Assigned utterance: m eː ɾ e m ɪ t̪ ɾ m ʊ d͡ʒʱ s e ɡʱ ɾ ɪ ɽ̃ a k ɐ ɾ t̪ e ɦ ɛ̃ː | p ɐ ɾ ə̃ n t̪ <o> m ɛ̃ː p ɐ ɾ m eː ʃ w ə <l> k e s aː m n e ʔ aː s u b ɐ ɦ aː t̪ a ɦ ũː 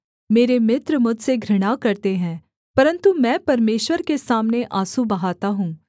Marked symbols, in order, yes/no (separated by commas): no, no